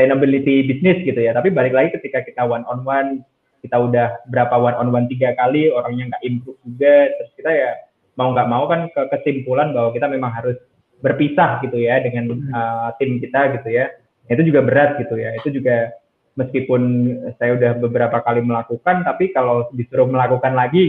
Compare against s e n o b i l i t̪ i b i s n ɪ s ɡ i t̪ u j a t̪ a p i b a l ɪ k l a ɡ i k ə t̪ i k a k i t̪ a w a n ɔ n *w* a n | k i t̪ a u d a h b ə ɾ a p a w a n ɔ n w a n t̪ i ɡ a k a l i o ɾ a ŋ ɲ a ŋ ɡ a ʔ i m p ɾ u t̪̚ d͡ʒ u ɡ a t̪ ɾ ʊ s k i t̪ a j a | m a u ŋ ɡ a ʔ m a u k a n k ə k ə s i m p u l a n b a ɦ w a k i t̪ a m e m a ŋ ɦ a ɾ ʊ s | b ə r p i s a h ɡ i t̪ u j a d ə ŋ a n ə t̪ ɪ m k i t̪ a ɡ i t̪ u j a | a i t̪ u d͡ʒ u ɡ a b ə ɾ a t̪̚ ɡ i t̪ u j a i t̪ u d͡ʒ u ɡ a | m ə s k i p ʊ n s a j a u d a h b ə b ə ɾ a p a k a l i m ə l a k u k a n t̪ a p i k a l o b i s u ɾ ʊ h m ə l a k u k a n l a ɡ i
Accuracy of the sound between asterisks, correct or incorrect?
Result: correct